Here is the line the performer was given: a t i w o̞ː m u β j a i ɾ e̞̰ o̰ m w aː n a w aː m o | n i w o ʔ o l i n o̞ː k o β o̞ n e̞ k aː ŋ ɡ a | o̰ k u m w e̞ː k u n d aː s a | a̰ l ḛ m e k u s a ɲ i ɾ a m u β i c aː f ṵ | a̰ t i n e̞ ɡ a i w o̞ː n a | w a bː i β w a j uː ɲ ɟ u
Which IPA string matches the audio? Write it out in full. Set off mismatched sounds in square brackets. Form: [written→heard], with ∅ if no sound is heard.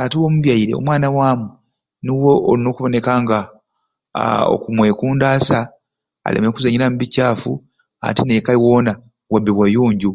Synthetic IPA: a t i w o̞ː m u β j a i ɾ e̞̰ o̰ m w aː n a w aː m [o→u] | n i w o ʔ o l i n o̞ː k [o→u] β o̞ n e̞ k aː ŋ ɡ a | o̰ k u m w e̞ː k [u→uː] n d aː s a | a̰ l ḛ m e k u [s→z] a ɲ i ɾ a m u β i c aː f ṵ | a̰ t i n e̞ [ɡ→k] a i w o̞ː n a | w a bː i β w a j uː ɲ ɟ u

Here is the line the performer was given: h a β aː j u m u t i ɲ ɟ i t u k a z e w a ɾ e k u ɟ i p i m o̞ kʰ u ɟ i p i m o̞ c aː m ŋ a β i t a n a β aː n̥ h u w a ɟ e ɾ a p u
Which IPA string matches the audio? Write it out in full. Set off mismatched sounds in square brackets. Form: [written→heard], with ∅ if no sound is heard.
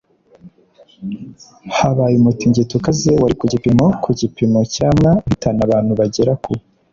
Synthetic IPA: h a β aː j u m u t i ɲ ɟ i t u k a z e w a ɾ [e→i] k u ɟ i p i m o̞ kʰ u ɟ i p i m o̞ c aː m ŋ a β i t a n a β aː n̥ h u [w→β] a ɟ e ɾ a [p→k] u

